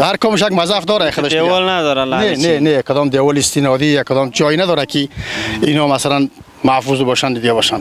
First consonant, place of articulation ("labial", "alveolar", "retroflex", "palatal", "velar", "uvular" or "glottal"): glottal